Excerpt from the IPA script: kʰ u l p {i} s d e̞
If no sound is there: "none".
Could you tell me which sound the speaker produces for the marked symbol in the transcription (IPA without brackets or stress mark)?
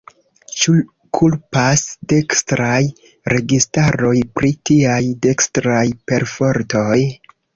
a